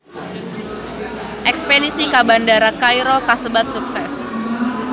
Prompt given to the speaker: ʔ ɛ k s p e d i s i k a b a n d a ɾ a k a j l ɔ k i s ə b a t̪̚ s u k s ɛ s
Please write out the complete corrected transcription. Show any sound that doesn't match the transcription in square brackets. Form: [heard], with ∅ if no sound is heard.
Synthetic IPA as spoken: ʔ ɛ k s p e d i s i k a b a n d a ɾ a k a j [ɾ] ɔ k [a] s ə b a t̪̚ s u k s ɛ s